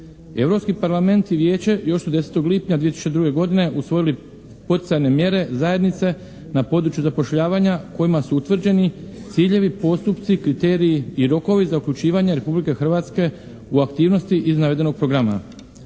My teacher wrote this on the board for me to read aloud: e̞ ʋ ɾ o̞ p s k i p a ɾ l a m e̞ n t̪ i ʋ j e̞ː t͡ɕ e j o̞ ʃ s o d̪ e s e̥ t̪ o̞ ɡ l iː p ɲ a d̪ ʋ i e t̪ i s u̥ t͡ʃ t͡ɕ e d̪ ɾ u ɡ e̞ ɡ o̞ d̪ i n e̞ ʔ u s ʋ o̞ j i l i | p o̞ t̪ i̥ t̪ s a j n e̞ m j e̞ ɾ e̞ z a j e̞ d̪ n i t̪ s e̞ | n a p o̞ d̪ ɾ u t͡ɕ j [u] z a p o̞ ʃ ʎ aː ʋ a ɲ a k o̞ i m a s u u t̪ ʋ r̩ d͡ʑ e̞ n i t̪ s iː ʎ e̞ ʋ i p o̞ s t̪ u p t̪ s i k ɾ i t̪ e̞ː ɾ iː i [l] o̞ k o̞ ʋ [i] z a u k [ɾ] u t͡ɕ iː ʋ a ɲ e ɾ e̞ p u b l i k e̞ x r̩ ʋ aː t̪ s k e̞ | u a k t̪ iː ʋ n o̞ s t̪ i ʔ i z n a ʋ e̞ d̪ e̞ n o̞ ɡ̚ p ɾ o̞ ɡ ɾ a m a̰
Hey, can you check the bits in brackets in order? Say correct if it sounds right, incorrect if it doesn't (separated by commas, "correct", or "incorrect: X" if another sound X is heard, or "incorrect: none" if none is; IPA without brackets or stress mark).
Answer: correct, incorrect: ɾ, correct, incorrect: ʎ